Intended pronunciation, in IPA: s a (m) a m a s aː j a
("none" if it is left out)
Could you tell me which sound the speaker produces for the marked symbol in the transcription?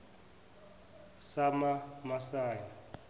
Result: m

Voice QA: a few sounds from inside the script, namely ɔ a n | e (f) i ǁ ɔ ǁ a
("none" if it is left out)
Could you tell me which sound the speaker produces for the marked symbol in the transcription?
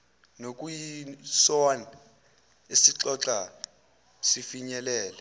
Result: s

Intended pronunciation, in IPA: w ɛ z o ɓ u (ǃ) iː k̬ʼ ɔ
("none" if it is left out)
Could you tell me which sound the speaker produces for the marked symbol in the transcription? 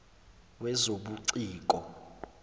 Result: ǀ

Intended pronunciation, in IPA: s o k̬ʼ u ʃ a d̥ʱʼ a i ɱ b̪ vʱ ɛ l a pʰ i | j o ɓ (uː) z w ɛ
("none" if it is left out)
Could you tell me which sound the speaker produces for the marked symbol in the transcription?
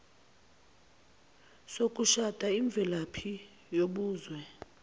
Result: uː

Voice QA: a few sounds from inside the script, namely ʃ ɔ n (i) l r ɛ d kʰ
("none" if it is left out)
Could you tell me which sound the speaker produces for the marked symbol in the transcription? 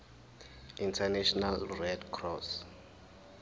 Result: a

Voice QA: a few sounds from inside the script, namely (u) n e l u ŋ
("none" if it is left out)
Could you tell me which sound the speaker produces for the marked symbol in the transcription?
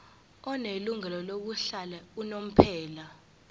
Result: ɔ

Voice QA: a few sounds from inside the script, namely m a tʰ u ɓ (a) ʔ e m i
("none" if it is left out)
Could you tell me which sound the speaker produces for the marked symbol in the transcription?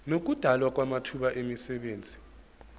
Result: a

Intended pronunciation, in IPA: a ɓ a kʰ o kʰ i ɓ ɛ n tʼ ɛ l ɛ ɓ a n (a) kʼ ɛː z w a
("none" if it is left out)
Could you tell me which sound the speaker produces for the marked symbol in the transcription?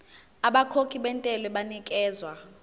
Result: i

